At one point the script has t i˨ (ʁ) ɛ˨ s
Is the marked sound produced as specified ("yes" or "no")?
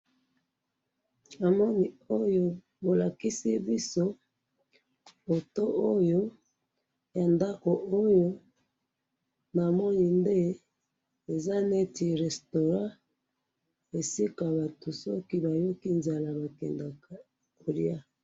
yes